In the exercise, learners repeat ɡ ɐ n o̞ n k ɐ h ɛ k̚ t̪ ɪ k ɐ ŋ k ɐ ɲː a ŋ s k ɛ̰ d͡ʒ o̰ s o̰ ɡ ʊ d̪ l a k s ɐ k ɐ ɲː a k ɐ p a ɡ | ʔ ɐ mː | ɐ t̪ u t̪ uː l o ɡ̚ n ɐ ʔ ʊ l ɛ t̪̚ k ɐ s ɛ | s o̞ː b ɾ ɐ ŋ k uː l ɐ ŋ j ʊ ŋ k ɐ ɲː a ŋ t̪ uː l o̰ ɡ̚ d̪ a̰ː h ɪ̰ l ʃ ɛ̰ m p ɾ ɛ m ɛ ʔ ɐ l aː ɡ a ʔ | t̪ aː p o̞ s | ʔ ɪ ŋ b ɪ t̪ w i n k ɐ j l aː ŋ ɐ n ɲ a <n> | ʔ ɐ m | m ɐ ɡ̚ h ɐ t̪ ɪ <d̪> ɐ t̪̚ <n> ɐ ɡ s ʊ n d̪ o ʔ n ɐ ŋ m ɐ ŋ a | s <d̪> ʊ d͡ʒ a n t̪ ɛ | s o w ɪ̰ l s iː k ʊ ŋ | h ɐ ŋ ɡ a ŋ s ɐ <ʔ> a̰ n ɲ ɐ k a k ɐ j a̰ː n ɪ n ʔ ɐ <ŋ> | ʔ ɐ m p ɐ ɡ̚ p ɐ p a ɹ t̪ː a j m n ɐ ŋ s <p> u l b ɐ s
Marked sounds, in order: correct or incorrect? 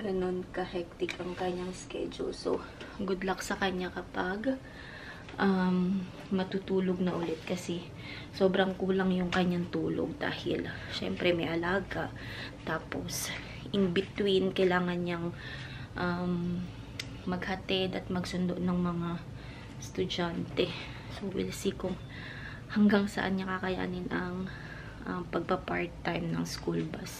incorrect: ŋ, correct, incorrect: m, incorrect: t̪, correct, correct, incorrect: k

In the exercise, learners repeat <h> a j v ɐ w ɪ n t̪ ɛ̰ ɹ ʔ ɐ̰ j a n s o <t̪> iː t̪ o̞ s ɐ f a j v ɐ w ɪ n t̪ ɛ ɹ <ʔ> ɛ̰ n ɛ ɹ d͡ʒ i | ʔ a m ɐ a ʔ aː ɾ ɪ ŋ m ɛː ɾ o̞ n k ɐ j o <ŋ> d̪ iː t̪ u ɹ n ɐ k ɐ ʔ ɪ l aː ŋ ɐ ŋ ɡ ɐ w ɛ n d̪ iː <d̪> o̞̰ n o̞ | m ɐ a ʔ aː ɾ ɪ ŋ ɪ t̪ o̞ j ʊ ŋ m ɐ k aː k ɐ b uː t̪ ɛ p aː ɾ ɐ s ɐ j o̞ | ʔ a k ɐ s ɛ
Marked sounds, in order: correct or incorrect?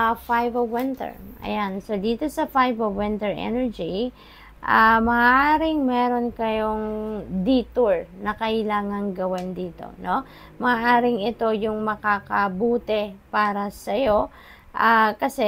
incorrect: f, incorrect: d̪, correct, correct, incorrect: t̪

